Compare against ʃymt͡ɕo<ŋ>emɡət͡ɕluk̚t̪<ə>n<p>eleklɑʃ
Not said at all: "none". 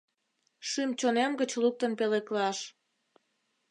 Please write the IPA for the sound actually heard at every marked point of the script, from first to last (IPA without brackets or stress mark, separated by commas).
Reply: n, ə, p